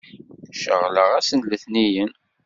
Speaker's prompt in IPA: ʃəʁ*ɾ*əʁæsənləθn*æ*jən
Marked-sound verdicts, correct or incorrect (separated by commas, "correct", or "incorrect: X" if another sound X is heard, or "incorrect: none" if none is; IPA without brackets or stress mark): incorrect: l, incorrect: i